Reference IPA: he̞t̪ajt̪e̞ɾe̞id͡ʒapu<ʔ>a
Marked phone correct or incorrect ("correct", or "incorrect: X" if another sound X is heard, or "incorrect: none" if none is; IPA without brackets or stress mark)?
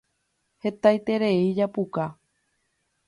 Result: incorrect: k